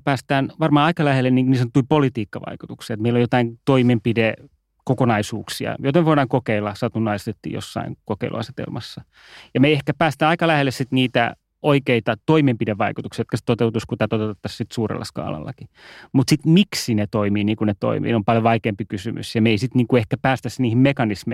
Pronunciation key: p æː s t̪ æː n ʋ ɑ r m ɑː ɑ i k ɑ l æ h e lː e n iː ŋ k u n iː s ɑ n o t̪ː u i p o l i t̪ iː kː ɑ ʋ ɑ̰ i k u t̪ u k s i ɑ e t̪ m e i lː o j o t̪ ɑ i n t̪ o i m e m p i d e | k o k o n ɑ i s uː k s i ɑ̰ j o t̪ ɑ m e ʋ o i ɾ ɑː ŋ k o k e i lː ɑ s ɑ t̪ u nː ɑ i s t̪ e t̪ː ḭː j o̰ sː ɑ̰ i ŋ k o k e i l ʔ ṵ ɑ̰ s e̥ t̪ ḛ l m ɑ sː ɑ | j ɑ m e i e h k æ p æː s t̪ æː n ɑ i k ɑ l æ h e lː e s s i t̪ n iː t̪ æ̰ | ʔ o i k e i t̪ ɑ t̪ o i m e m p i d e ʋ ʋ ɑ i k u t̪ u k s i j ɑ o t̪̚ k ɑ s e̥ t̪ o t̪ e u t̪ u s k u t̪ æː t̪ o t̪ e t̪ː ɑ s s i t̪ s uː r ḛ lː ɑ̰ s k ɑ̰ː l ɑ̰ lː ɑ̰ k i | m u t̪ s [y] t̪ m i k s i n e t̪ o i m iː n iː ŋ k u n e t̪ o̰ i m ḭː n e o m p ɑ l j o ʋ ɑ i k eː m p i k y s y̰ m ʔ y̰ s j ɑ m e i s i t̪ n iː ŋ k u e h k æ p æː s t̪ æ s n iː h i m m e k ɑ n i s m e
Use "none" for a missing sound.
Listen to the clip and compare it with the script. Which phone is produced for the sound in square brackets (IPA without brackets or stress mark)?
i